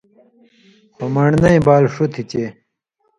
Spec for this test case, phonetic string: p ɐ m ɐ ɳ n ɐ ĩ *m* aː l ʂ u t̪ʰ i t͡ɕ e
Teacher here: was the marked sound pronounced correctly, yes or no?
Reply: no